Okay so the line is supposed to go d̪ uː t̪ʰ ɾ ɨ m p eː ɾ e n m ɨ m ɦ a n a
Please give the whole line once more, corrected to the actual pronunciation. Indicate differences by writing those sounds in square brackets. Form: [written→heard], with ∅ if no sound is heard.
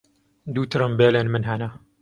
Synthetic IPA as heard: d̪ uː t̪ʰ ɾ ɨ m [p→b] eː [ɾ→l] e n m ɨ [m→n] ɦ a n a